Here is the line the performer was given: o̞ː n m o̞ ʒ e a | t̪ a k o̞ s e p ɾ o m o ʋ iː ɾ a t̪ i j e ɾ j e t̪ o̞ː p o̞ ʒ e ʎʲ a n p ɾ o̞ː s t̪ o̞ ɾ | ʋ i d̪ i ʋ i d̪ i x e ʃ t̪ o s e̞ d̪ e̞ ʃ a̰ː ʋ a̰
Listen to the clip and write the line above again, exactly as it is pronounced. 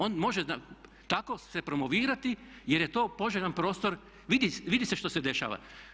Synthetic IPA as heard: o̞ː n m o̞ ʒ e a | t̪ a k o̞ s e p ɾ o m o ʋ iː ɾ a t̪ i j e ɾ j e t̪ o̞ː p o̞ ʒ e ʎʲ a n p ɾ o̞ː s t̪ o̞ ɾ | ʋ i d̪ i ʋ i d̪ i s e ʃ t̪ o s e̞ d̪ e̞ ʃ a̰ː ʋ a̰